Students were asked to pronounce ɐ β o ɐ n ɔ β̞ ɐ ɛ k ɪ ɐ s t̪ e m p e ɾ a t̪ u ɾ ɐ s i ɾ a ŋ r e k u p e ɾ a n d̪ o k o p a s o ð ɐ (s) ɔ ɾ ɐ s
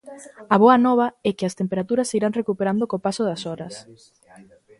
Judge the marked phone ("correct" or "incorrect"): correct